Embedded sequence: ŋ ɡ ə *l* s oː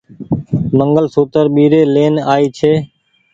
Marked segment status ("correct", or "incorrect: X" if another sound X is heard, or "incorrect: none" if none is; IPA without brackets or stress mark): correct